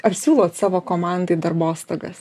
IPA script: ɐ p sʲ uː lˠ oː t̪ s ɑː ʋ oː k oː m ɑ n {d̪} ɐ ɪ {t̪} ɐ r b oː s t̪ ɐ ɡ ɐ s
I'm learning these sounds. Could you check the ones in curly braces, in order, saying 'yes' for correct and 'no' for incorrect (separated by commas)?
yes, no